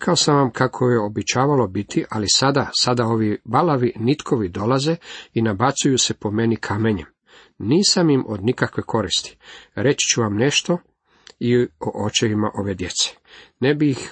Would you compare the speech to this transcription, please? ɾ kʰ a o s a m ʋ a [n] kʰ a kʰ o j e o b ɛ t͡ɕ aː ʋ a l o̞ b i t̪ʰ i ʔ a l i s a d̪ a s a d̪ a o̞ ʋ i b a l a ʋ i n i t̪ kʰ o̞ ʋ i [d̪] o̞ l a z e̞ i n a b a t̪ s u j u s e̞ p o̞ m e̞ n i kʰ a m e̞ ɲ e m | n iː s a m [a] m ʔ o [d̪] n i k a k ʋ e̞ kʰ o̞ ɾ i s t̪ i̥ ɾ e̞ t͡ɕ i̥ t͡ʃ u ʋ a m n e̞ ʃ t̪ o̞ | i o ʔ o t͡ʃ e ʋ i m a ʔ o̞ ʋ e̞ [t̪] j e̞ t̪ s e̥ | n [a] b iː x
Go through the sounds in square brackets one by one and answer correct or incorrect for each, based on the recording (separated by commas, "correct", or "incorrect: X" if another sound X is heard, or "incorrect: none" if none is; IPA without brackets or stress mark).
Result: incorrect: m, correct, incorrect: i, correct, incorrect: d̪, incorrect: e